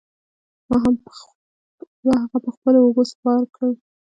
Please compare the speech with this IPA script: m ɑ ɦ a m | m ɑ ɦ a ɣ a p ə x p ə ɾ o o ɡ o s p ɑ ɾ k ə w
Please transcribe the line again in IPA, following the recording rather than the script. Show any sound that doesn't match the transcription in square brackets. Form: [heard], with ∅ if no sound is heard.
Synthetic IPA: m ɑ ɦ a m | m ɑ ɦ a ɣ a p ə x p ə [l] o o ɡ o s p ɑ ɾ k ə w